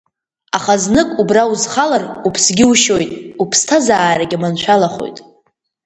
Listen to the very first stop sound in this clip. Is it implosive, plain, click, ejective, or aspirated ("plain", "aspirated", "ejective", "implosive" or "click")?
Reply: ejective